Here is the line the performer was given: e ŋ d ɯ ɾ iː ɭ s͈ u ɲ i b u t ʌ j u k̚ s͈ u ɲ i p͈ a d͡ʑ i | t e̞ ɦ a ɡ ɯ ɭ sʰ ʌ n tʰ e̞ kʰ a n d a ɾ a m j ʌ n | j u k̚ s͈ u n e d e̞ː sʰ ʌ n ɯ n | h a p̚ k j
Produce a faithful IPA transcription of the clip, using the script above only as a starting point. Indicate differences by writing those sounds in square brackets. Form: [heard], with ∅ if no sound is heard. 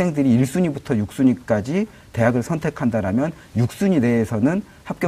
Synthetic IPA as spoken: e ŋ d ɯ ɾ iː ɭ s͈ u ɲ i b u [tʰ] ʌ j u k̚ s͈ u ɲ i [k͈] a d͡ʑ i | t e̞ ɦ a ɡ ɯ ɭ sʰ ʌ n tʰ e̞ kʰ a n d a ɾ a m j ʌ n | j u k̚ s͈ u [ɲ] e d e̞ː sʰ ʌ n ɯ n | h a p̚ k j